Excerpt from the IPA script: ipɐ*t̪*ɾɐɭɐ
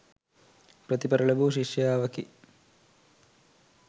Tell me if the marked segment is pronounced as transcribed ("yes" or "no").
no